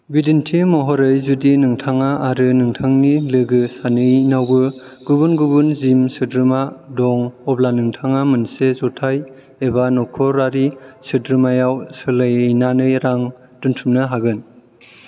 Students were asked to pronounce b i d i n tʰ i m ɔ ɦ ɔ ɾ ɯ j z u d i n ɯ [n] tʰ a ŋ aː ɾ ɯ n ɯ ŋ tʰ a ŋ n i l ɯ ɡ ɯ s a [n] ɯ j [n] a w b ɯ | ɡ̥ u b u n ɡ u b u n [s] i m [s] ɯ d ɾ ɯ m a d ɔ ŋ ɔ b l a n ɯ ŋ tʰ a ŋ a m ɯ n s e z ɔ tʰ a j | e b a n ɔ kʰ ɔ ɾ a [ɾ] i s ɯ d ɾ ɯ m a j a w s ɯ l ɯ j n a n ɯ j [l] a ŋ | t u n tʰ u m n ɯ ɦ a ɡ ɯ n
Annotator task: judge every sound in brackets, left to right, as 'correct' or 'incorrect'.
incorrect, correct, correct, incorrect, correct, correct, incorrect

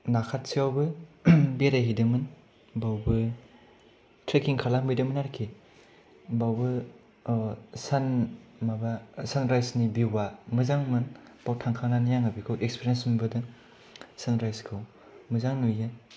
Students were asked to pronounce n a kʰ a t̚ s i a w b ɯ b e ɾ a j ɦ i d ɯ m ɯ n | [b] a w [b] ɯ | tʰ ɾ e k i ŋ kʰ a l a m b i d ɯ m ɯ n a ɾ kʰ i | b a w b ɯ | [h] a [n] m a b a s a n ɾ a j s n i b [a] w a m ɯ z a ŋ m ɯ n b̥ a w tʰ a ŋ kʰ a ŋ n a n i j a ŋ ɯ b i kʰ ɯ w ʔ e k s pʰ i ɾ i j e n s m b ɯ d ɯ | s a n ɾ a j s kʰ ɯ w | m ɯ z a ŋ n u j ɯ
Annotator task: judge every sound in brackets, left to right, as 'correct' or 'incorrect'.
correct, correct, incorrect, correct, incorrect

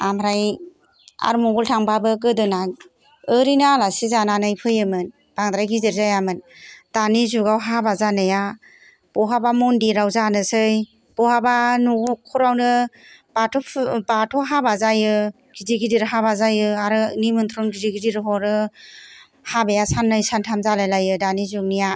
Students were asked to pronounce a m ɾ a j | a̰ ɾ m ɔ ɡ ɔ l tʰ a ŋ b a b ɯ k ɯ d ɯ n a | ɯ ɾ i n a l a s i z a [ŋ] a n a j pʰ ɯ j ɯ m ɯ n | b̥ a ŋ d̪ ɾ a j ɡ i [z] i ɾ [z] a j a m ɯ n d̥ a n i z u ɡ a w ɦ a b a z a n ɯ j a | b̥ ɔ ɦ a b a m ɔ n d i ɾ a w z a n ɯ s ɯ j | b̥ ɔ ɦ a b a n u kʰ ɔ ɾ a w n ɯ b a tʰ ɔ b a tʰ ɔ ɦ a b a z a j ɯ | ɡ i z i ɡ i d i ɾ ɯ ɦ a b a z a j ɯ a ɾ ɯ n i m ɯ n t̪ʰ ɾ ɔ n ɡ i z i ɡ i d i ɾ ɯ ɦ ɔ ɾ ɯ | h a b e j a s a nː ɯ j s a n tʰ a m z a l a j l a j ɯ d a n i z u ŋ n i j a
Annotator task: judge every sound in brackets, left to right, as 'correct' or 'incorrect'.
incorrect, correct, correct

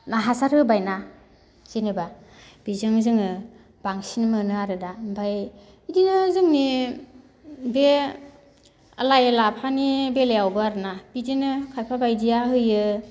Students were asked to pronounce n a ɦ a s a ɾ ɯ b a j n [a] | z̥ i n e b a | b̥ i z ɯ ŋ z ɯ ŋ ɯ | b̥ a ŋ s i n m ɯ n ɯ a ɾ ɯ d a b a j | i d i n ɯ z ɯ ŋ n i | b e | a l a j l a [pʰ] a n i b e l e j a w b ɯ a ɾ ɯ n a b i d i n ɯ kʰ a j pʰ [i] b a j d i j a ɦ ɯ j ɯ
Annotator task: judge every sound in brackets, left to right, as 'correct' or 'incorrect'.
correct, correct, incorrect

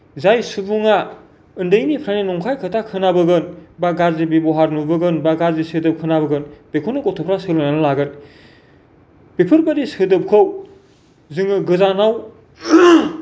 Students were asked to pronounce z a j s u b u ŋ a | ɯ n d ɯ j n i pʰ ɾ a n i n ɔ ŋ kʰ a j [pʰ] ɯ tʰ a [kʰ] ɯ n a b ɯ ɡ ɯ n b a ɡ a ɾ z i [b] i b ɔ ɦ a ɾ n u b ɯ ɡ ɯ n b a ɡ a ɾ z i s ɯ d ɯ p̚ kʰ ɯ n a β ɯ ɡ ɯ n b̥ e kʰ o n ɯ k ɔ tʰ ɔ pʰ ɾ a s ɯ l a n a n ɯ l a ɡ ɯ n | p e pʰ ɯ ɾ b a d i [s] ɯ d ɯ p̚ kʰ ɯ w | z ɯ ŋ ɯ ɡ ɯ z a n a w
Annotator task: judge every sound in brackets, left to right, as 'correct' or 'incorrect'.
incorrect, correct, correct, correct

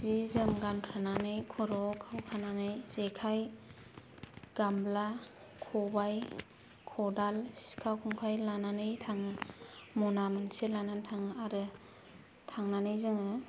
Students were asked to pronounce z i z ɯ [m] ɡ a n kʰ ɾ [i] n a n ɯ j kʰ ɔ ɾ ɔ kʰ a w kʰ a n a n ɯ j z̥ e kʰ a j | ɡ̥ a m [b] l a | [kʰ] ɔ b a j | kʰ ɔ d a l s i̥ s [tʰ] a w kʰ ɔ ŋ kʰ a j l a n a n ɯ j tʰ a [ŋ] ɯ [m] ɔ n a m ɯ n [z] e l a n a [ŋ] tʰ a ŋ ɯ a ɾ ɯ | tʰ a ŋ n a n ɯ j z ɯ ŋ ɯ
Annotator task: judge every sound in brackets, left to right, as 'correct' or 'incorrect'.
correct, incorrect, correct, correct, incorrect, correct, correct, incorrect, incorrect

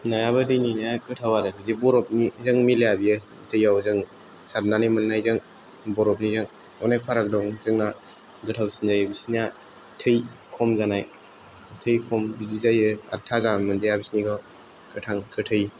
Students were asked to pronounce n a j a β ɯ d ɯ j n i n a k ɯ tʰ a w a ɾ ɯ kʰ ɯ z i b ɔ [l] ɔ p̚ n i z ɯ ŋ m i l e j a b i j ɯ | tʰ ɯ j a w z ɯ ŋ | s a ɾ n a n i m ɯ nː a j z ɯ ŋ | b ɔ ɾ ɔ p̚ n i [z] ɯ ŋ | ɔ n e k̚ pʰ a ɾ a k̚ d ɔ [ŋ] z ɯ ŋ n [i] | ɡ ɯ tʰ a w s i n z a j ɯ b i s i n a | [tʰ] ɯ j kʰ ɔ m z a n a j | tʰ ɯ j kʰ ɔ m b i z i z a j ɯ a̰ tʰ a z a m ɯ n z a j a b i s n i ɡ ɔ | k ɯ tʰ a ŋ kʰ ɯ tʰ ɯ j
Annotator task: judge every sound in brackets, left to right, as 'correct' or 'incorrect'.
incorrect, correct, correct, incorrect, correct

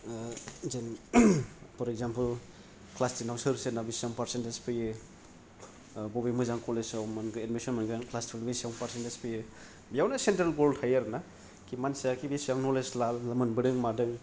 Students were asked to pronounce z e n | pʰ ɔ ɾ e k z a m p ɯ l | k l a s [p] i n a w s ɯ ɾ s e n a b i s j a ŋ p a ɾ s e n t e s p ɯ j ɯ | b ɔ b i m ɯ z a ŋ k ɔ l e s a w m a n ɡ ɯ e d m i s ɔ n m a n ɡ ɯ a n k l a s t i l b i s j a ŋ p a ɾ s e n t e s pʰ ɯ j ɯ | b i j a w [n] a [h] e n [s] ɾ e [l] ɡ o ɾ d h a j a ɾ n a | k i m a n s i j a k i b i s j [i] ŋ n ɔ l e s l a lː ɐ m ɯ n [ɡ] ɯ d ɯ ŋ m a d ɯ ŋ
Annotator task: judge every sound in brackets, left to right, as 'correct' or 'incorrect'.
incorrect, correct, incorrect, incorrect, correct, incorrect, incorrect

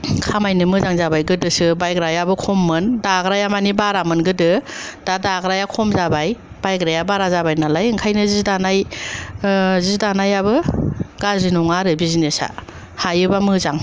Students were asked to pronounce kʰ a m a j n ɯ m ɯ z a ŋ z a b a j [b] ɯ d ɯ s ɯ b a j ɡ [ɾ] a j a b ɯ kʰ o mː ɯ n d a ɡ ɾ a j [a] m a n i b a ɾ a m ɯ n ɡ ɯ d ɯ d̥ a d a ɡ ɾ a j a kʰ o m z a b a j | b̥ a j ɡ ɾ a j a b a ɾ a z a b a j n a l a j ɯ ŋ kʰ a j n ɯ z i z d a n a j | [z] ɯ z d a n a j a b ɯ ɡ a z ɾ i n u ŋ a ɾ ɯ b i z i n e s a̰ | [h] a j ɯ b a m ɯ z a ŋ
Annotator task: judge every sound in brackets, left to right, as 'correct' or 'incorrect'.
incorrect, correct, correct, correct, correct

